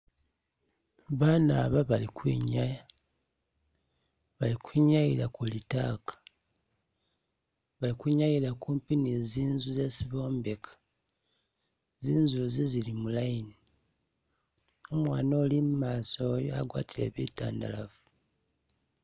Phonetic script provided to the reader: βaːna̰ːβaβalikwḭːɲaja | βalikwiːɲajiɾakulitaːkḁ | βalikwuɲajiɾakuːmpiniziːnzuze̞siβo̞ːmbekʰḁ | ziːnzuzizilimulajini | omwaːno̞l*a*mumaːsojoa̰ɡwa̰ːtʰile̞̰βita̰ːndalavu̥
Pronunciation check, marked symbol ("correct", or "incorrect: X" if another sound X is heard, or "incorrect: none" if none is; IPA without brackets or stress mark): incorrect: i